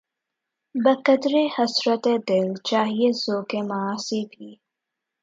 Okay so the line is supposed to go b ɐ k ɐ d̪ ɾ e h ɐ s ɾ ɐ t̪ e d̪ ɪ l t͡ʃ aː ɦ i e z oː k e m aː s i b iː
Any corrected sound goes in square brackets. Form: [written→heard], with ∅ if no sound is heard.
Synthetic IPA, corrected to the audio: b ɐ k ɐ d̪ ɾ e h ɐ s ɾ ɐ t̪ e d̪ ɪ l t͡ʃ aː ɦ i e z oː k e m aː s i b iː